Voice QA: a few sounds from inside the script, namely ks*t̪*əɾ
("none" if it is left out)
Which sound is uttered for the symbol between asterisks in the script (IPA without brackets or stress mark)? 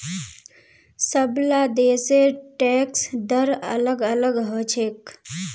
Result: d̪